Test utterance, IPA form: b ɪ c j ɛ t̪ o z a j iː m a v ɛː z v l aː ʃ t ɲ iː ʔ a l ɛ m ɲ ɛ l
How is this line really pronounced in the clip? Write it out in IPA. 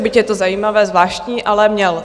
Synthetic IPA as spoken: b ɪ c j ɛ t̪ o z a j iː m a v ɛː z v l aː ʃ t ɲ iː ʔ a l ɛ m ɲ ɛ l